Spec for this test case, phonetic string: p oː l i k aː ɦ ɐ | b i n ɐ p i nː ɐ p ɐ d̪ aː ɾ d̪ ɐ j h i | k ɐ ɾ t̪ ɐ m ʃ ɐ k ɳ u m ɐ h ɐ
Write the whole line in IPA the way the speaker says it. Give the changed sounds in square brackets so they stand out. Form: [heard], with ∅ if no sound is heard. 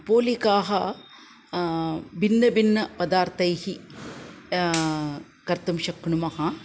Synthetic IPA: p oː l i k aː ɦ ɐ | b i [nː] ɐ [b] i nː ɐ p ɐ d̪ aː ɾ [t̪] ɐ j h i | k ɐ ɾ t̪ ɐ m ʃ ɐ k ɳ u m ɐ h ɐ